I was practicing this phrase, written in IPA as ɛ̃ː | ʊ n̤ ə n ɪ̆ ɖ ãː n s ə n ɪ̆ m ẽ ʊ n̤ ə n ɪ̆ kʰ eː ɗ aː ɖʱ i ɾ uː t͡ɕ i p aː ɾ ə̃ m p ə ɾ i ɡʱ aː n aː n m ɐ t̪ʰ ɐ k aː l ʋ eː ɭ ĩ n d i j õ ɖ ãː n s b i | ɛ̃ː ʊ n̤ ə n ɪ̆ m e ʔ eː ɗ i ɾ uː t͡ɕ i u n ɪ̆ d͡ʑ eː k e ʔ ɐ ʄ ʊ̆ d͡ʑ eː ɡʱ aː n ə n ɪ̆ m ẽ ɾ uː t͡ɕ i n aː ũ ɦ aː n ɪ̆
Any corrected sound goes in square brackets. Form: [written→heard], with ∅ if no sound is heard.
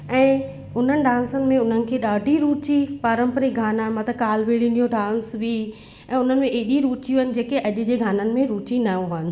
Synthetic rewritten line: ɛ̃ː | ʊ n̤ ə n ɪ̆ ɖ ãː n s ə n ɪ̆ m ẽ ʊ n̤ ə n ɪ̆ kʰ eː ɗ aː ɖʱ i ɾ uː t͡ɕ i p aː ɾ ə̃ m p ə ɾ i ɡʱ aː n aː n m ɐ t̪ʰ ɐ k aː l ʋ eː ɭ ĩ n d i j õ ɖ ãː n s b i | ɛ̃ː ʊ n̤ ə n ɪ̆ m [e→ẽ] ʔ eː ɗ i ɾ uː t͡ɕ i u n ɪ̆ d͡ʑ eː k e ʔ ɐ ʄ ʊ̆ d͡ʑ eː ɡʱ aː n ə n ɪ̆ m ẽ ɾ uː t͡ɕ i n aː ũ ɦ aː n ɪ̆